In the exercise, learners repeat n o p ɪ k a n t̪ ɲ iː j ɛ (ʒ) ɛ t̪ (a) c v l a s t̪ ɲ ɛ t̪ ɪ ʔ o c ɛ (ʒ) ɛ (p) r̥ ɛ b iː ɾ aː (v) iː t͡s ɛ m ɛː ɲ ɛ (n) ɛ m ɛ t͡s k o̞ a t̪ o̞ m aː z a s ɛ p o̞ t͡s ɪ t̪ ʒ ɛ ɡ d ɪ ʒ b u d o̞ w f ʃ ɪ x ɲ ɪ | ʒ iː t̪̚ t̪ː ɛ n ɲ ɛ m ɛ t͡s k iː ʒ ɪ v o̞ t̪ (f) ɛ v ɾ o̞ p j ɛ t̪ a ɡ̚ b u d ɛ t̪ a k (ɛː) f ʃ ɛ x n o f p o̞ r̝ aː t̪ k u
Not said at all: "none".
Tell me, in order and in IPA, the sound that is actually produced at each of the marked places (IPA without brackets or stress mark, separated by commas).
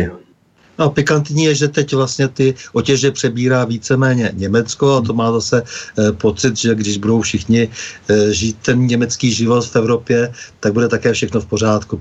ʒ, ɛ, ʒ, p, v, ɲ, f, ɛː